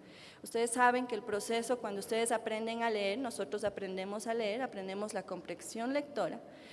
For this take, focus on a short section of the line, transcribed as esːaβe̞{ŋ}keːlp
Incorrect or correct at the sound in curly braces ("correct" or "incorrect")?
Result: correct